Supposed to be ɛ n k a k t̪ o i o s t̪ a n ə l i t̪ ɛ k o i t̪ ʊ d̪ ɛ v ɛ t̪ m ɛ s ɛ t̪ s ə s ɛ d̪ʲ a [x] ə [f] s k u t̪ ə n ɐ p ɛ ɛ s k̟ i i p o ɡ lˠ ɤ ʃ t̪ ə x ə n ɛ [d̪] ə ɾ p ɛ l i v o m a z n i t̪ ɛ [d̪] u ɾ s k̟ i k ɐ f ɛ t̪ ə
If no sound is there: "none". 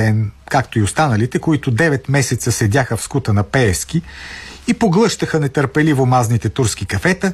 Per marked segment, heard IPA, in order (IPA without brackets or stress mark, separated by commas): x, f, t̪, t̪